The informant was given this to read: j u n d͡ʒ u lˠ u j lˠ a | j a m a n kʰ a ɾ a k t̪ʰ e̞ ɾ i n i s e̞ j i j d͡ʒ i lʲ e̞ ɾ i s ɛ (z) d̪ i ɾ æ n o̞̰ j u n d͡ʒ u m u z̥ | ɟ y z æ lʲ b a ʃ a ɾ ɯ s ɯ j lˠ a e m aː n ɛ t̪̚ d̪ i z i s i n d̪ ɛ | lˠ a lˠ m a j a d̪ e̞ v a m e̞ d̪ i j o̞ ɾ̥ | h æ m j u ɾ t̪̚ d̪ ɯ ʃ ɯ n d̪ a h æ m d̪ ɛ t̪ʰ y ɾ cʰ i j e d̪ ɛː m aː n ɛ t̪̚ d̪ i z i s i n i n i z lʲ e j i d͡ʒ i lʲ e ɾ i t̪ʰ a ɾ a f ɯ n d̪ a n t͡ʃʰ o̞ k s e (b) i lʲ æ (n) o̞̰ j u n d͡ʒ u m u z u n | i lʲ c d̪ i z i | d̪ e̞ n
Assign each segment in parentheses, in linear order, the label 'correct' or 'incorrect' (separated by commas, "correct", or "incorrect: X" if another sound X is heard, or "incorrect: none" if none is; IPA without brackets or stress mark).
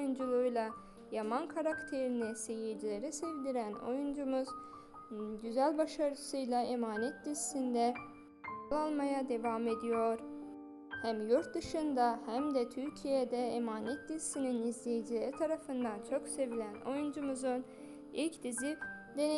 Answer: incorrect: v, incorrect: v, correct